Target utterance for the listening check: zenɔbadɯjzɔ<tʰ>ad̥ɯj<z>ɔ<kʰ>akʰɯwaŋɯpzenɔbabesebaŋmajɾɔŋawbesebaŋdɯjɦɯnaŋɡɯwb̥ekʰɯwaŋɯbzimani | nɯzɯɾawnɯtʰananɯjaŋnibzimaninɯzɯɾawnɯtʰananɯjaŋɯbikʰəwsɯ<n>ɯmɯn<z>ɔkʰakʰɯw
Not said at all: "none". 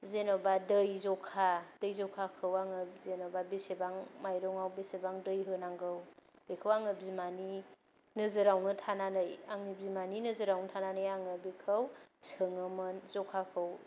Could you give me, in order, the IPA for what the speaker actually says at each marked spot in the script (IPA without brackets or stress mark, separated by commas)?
kʰ, z, kʰ, ŋ, z